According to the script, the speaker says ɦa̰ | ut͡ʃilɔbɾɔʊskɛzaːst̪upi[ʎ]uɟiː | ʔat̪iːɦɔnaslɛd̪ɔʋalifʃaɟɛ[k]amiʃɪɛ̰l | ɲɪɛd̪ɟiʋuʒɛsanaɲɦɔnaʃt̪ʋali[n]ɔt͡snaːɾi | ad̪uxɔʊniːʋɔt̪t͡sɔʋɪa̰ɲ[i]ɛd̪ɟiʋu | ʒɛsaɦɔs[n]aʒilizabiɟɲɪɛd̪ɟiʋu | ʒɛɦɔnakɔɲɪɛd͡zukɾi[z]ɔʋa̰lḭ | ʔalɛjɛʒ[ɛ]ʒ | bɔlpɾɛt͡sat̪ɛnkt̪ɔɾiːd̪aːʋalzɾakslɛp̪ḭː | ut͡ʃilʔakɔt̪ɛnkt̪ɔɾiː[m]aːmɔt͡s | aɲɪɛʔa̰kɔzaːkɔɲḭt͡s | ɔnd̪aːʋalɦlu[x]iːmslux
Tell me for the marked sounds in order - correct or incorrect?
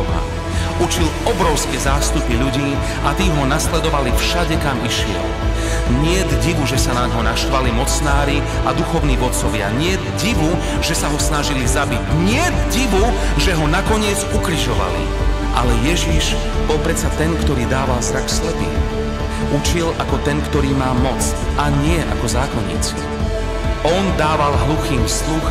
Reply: correct, correct, incorrect: m, incorrect: ɪ, correct, incorrect: ʒ, incorrect: i, correct, correct

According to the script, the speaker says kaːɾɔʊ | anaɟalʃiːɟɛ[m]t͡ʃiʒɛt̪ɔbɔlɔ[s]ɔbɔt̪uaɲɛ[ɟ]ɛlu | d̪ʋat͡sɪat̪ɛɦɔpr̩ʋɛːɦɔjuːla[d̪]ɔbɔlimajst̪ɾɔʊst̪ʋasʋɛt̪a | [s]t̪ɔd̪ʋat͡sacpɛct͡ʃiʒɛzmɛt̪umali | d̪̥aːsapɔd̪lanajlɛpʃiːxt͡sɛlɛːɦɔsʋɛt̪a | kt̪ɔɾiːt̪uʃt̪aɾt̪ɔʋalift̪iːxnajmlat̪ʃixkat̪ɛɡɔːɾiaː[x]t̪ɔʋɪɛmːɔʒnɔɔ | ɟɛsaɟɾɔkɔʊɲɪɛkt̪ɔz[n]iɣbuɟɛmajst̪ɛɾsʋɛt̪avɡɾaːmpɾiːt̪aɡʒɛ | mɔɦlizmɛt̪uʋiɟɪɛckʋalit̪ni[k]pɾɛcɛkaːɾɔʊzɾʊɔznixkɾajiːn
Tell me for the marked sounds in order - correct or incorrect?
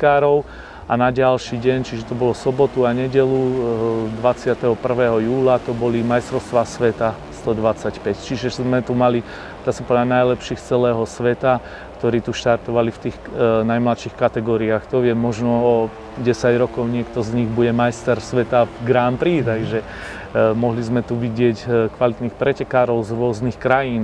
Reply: incorrect: ɲ, correct, correct, incorrect: t̪, correct, correct, incorrect: ɲ, incorrect: x

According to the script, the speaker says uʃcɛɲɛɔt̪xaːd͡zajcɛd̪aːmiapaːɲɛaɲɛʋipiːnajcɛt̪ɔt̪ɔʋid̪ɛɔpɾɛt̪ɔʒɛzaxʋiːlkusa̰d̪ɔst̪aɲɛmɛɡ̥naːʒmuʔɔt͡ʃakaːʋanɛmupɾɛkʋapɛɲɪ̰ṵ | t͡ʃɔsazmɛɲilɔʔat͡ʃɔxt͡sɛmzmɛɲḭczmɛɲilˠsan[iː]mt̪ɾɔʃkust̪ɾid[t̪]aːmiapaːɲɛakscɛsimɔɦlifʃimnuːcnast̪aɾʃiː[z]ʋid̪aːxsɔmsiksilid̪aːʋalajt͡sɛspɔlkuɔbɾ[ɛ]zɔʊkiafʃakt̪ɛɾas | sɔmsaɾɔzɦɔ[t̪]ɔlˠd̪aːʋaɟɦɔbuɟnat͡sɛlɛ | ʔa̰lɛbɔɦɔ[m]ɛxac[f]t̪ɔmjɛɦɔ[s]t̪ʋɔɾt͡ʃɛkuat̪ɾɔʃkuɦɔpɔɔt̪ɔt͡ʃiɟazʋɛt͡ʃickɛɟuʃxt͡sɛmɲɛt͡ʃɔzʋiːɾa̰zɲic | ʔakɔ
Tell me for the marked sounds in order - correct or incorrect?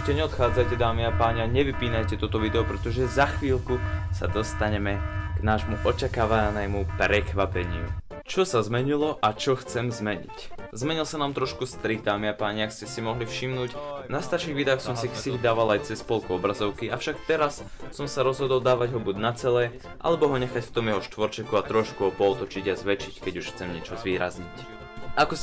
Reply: incorrect: aː, incorrect: d̪, incorrect: ɣ, incorrect: a, incorrect: d̪, incorrect: ɲ, correct, incorrect: ʃ

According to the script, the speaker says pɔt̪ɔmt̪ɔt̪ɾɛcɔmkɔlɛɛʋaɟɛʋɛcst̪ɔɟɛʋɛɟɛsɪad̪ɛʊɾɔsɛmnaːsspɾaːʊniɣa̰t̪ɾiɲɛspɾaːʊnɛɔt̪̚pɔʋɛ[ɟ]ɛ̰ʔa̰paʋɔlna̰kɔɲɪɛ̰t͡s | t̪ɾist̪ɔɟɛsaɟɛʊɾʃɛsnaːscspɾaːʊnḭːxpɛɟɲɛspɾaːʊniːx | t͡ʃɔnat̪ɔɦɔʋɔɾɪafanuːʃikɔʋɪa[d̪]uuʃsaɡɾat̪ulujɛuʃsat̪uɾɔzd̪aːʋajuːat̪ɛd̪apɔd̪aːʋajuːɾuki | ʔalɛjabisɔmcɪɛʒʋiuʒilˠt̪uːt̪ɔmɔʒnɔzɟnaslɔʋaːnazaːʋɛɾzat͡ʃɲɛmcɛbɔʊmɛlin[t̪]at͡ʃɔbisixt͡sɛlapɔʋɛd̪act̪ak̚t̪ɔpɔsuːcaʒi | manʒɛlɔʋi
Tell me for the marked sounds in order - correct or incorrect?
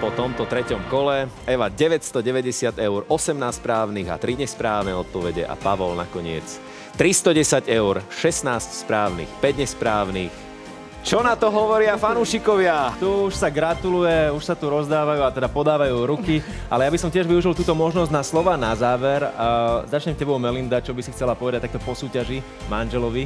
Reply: correct, incorrect: t̪, incorrect: d̪

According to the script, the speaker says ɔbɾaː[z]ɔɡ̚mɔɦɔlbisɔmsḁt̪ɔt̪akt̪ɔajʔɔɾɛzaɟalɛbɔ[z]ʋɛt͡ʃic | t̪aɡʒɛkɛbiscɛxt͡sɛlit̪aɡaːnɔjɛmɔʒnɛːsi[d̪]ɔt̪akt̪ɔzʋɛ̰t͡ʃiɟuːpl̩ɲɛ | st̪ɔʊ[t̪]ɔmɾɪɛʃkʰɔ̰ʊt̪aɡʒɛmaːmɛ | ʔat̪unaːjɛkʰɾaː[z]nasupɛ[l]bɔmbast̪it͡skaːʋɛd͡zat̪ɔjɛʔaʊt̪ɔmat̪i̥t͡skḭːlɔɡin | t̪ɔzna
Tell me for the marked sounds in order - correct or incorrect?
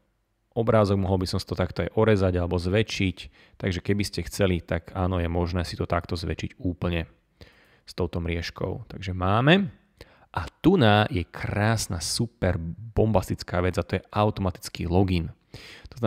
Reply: correct, correct, incorrect: t̪, correct, incorrect: s, incorrect: ɾ

